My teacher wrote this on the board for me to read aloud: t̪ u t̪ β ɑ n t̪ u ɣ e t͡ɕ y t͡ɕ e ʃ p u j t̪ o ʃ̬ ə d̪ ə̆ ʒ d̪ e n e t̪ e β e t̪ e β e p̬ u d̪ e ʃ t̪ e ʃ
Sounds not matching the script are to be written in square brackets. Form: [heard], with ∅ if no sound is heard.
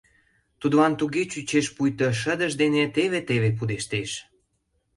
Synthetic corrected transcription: t̪ u [d̪] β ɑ n t̪ u ɣ e t͡ɕ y t͡ɕ e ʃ p u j t̪ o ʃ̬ ə d̪ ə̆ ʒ d̪ e n e t̪ e β e t̪ e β e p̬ u d̪ e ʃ t̪ e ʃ